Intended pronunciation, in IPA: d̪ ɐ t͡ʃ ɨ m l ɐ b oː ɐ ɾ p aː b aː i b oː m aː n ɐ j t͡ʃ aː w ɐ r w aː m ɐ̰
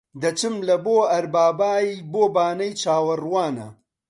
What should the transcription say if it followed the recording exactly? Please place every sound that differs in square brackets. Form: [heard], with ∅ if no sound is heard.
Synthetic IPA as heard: d̪ ɐ t͡ʃ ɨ m l ɐ b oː ɐ ɾ [b] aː b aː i b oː [b] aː n ɐ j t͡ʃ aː w ɐ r w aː [n] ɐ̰